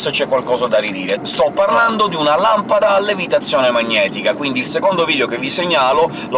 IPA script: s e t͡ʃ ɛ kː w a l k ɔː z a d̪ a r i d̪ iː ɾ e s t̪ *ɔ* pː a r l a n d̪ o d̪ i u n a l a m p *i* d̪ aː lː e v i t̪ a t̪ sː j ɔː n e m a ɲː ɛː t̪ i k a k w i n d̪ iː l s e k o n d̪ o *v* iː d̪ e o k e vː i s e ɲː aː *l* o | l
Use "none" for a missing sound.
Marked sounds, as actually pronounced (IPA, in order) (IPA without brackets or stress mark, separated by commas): ɔ, a, v, l